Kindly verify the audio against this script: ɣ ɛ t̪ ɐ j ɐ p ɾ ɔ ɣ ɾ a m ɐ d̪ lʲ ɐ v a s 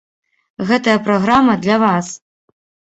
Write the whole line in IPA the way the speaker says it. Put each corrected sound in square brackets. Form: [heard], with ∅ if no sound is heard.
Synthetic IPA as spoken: ɣ ɛ t̪ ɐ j ɐ p ɾ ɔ ɣ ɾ a m ɐ d̪ lʲ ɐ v a s